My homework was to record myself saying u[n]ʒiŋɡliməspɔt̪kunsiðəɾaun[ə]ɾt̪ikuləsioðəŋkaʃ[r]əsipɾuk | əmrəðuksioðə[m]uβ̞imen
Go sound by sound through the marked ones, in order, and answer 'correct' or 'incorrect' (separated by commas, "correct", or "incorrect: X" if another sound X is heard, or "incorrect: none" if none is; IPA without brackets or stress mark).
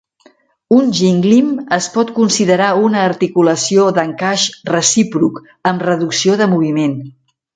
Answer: correct, incorrect: əː, correct, correct